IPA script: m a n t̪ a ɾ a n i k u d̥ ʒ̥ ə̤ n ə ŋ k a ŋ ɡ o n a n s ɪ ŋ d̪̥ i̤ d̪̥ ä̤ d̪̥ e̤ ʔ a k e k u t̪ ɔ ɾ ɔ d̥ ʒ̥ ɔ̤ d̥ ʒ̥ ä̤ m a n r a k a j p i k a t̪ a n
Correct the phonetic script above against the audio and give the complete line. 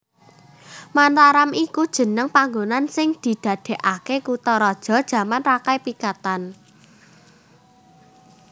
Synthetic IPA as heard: m a n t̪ a ɾ a m i k u d̥ ʒ̥ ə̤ n ə ŋ p a ŋ ɡ o n a n s ɪ ŋ d̪̥ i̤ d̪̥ ä̤ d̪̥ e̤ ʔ a k e k u t̪ ɔ ɾ ɔ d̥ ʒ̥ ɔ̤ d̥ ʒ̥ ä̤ m a n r a k a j p i k a t̪ a n